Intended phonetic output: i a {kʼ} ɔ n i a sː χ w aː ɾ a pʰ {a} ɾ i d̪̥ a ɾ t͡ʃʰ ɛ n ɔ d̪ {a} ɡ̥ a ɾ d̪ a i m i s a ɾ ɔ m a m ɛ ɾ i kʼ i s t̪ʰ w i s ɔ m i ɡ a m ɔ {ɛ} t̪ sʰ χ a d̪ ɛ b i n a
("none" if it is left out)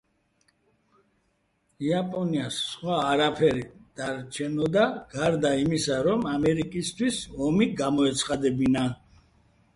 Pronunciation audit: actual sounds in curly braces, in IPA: pʼ, ɛ, a, ɛ

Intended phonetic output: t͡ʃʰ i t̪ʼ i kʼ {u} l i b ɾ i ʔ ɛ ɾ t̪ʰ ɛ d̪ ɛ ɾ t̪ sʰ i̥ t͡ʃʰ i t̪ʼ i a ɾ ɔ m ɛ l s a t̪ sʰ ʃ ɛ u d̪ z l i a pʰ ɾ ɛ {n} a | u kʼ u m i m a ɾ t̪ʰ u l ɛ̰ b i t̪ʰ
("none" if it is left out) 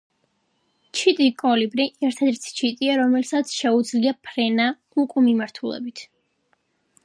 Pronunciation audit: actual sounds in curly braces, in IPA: ɔ, n

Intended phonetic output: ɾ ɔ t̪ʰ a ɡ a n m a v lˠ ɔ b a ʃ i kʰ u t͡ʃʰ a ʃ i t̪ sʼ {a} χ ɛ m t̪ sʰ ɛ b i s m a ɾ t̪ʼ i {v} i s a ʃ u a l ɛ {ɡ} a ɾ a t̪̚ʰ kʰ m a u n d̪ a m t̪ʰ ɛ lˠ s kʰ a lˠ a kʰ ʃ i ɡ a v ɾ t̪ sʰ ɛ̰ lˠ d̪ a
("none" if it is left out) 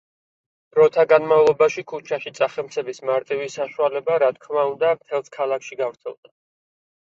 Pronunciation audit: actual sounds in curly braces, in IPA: a, v, b

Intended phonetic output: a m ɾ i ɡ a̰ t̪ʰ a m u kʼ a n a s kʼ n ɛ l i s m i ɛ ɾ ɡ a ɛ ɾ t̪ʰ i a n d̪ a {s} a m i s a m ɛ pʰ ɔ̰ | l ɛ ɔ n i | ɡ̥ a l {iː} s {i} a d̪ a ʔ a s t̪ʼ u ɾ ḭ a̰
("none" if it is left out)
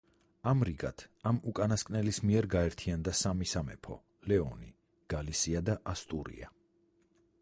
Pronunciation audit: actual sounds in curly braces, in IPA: s, i, i

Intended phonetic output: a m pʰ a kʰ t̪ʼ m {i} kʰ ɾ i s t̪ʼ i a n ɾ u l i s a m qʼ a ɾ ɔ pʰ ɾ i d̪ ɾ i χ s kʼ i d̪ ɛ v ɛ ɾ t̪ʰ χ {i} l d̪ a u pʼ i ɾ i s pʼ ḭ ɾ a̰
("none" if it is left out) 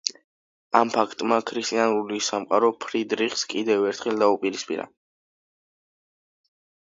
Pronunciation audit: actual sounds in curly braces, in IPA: a, ɛ

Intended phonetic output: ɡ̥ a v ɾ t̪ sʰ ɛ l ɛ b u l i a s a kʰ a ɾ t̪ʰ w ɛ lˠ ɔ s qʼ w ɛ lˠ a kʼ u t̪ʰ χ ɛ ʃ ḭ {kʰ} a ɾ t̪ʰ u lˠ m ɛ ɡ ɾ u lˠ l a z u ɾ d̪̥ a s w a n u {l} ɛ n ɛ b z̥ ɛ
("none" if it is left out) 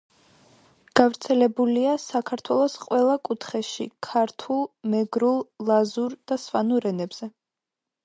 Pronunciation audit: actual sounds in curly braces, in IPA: kʰ, ɾ

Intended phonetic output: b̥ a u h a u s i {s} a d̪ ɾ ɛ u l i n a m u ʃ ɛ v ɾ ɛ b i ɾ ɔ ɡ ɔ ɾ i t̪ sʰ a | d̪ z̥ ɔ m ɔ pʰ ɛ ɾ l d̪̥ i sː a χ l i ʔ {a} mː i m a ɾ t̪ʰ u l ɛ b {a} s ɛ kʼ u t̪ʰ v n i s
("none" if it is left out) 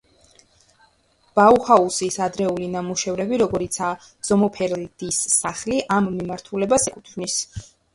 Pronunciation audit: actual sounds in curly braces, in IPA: s, a, a

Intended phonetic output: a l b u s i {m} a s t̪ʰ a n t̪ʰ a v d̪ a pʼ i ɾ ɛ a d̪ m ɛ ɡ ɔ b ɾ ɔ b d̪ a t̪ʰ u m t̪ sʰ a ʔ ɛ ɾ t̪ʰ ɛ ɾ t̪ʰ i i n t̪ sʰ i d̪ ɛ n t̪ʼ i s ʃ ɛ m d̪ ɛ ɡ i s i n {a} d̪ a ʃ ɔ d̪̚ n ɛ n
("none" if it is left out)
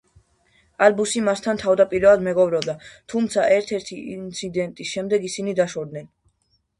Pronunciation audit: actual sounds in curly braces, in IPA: m, i

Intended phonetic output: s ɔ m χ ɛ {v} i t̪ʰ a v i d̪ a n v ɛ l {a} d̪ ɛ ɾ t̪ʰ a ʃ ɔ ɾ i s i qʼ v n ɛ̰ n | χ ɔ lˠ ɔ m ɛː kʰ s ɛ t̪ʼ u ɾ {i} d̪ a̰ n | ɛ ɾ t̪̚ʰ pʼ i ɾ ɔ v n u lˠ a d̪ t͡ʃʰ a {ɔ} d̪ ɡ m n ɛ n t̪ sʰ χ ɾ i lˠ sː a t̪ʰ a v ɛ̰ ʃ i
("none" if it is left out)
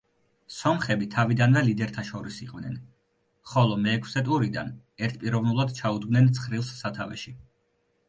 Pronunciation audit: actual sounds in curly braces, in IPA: b, i, i, u

